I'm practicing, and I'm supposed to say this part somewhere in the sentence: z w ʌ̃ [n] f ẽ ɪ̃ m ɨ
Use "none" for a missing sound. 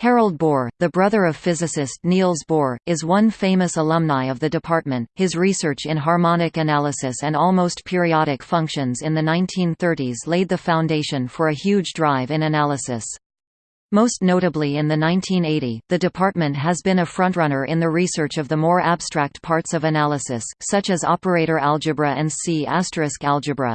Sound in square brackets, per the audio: n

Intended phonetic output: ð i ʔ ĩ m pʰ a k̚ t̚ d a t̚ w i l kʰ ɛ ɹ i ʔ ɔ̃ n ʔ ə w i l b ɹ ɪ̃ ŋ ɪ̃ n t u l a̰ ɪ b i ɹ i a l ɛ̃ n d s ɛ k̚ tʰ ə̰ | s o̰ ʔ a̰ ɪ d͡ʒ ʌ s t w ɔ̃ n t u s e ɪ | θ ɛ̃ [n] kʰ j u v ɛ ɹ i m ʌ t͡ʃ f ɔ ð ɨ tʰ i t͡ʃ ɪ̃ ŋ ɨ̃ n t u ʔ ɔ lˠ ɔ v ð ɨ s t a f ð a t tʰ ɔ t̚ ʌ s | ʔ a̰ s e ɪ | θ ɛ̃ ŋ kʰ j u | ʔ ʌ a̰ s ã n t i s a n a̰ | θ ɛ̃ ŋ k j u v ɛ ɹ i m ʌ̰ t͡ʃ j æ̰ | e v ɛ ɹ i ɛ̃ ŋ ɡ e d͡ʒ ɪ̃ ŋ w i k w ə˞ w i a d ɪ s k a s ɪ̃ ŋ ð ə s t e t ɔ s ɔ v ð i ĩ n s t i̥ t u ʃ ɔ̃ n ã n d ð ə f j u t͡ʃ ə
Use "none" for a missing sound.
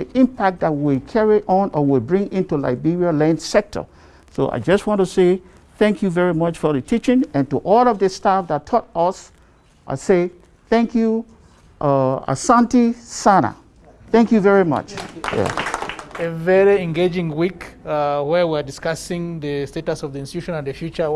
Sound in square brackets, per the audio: ŋ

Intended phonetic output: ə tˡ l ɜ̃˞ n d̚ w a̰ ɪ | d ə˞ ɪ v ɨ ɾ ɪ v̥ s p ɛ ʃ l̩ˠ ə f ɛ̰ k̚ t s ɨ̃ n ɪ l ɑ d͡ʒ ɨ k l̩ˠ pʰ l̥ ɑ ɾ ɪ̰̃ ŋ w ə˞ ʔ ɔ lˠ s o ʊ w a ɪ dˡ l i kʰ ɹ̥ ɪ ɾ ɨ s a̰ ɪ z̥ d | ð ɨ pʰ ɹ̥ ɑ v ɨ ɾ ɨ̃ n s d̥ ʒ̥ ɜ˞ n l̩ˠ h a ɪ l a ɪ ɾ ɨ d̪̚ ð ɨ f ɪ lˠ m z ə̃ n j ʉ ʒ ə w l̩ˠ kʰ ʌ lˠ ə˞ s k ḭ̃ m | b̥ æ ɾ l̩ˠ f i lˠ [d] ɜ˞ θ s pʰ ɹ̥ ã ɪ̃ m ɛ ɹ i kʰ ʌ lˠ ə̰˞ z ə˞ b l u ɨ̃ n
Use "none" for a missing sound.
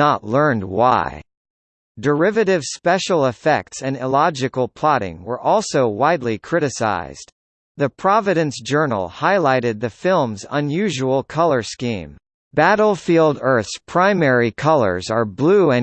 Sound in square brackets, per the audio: d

